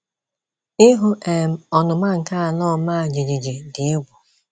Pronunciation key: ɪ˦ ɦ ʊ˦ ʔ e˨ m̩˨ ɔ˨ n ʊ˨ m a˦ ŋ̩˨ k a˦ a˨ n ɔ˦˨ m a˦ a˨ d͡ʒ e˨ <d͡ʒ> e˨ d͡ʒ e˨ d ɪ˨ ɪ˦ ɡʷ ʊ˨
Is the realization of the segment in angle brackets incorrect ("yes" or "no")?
no